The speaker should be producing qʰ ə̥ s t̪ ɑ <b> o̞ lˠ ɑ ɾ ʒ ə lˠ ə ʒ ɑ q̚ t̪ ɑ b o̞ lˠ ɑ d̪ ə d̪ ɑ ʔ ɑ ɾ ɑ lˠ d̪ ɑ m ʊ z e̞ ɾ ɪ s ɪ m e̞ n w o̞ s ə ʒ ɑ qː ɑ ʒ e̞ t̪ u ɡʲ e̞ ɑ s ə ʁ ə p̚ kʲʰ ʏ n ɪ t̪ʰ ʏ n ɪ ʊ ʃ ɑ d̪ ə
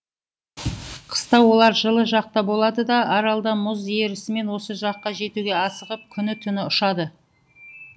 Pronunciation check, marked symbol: incorrect: w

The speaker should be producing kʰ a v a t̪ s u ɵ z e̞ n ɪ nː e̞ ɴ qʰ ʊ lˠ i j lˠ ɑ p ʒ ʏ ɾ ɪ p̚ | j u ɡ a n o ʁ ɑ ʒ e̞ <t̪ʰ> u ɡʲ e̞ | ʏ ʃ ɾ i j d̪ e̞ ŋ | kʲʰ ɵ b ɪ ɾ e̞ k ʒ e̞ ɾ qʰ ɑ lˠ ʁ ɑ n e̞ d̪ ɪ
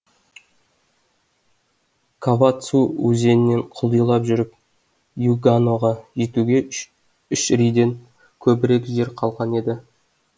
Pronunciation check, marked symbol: incorrect: t̪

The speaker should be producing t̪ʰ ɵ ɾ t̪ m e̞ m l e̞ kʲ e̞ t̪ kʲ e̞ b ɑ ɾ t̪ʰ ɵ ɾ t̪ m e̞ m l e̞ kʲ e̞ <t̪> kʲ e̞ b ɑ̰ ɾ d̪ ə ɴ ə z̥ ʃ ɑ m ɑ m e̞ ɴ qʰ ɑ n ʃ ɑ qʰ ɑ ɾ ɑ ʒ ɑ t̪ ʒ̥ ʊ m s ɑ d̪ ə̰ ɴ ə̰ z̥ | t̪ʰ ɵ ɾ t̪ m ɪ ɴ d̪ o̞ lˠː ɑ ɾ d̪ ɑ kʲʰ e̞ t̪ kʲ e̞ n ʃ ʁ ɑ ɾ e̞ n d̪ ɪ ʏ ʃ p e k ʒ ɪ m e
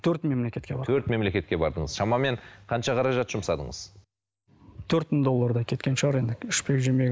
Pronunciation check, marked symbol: correct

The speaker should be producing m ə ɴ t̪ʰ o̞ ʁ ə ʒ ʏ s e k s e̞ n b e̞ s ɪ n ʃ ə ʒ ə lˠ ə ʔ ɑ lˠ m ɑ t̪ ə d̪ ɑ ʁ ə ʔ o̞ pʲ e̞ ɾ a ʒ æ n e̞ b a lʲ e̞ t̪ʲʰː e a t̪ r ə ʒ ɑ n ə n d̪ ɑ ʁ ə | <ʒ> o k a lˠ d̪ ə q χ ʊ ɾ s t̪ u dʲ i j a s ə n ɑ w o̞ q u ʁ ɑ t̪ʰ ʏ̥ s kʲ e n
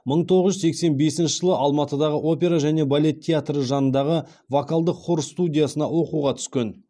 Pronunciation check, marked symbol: incorrect: v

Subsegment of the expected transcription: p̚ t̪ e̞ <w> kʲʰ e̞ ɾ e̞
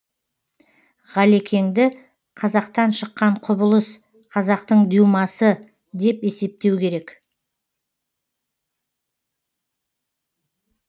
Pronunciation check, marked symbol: correct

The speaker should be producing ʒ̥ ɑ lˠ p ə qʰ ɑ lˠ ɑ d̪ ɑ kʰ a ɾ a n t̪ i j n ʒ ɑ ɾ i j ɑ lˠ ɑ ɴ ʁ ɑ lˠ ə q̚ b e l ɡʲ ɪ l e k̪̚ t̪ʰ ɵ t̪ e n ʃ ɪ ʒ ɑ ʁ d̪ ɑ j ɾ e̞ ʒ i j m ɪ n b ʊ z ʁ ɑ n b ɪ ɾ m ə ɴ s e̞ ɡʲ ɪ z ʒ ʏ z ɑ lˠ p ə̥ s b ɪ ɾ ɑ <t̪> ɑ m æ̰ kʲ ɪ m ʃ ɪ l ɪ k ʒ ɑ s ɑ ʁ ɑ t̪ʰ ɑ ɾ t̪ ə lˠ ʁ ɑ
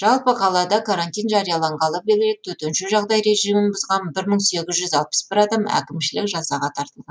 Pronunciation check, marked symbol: incorrect: d̪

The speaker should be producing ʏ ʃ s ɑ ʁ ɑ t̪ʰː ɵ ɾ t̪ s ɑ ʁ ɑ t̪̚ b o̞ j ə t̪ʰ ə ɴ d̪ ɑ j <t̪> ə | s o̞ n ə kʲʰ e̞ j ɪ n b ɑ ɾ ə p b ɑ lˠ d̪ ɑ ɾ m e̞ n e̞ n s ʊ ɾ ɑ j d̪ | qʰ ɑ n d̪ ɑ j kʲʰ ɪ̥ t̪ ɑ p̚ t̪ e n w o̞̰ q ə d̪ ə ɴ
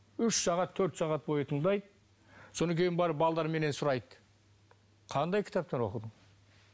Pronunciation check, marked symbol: incorrect: d̪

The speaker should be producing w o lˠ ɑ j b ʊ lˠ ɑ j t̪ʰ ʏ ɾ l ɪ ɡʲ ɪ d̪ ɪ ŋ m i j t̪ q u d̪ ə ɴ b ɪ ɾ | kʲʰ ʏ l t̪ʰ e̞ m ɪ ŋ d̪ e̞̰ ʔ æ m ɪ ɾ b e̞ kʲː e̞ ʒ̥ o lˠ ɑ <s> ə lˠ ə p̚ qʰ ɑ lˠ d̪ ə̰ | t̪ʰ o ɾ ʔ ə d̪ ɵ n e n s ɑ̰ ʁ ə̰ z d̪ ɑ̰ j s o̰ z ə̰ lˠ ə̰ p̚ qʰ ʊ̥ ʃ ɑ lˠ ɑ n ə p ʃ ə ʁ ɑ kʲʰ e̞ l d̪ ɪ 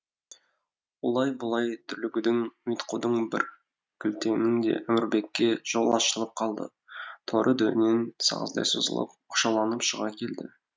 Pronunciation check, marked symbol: incorrect: ʃ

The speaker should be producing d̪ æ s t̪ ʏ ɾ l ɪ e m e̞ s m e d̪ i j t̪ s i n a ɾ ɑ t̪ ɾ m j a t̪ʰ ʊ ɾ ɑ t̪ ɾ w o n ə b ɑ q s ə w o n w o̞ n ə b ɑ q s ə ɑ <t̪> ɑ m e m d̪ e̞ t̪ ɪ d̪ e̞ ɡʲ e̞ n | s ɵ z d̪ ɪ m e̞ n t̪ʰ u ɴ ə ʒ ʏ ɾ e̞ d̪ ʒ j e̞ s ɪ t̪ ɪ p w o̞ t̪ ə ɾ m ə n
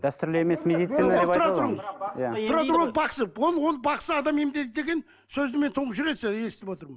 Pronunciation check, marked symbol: incorrect: d̪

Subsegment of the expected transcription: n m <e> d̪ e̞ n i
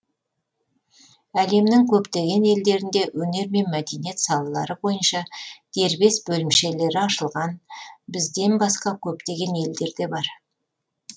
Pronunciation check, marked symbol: incorrect: æ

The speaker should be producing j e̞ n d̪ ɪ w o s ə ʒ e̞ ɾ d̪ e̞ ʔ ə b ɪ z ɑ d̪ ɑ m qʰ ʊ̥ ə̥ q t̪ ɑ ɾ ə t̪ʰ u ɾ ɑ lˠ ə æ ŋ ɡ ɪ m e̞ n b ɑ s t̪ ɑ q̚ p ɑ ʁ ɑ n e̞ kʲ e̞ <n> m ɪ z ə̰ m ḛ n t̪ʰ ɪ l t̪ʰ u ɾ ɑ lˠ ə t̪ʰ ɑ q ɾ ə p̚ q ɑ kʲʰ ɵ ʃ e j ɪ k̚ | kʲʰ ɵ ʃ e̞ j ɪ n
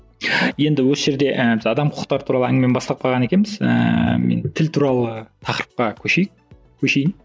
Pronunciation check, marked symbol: correct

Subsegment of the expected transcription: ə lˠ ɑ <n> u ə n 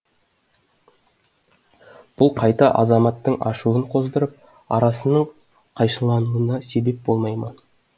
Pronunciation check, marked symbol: correct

